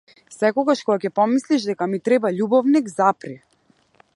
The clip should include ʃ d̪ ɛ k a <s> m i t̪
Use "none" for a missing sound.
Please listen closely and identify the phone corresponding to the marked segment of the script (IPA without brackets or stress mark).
none